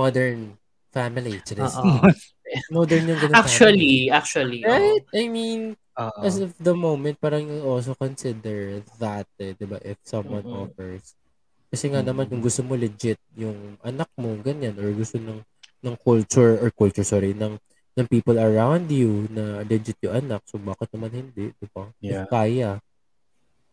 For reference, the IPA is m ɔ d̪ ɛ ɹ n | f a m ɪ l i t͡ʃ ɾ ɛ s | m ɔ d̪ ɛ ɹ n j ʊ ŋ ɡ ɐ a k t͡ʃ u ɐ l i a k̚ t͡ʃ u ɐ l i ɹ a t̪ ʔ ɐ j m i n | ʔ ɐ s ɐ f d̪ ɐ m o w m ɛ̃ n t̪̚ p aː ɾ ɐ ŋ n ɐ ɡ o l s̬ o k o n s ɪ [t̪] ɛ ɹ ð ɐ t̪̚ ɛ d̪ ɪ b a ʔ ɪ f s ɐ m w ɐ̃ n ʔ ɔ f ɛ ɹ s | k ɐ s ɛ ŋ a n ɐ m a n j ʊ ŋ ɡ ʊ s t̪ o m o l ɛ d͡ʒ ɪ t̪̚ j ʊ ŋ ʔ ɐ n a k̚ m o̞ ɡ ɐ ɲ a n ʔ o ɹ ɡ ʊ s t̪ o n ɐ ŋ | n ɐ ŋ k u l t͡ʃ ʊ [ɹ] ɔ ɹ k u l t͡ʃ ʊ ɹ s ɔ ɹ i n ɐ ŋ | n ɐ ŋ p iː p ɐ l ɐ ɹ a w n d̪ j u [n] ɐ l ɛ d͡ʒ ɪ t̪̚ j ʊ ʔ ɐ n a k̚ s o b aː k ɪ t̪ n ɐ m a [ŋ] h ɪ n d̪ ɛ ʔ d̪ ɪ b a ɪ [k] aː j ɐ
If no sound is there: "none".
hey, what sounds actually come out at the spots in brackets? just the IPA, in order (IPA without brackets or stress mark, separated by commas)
d̪, ɹ, n, n, k